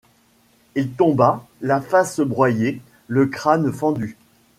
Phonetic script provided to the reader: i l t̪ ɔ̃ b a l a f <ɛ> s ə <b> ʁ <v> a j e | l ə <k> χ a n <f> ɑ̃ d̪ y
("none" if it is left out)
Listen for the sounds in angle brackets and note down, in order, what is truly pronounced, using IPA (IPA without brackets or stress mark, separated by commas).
a, b, w, k, f